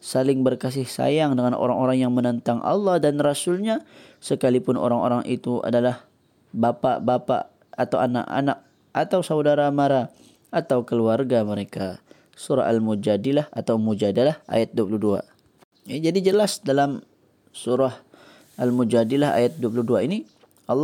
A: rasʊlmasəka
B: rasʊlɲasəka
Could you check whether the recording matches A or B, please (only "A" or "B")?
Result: B